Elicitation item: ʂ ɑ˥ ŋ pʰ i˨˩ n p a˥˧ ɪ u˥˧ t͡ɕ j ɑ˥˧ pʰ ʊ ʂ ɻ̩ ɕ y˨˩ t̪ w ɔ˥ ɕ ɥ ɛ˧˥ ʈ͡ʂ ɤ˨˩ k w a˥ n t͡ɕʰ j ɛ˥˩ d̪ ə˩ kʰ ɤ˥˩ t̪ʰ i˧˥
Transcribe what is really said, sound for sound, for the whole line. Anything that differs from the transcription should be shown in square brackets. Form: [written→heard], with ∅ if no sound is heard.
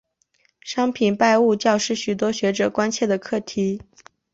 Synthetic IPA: ʂ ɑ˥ ŋ pʰ i˨˩ n p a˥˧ ɪ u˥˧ t͡ɕ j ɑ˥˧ [pʰ→∅] ʊ ʂ ɻ̩ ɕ y˨˩ t̪ w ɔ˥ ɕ ɥ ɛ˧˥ ʈ͡ʂ ɤ˨˩ k w a˥ n t͡ɕʰ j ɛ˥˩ d̪ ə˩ kʰ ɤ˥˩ t̪ʰ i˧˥